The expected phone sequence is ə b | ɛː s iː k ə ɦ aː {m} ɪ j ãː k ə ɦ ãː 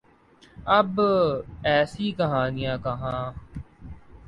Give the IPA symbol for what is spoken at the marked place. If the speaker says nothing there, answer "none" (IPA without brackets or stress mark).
n